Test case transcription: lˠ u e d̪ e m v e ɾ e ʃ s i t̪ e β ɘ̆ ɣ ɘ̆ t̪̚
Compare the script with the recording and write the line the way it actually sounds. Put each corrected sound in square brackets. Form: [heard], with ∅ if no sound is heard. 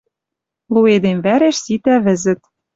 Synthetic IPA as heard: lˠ u e d̪ e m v [æ] ɾ e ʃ s i t̪ [æ] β ɘ̆ [z] ɘ̆ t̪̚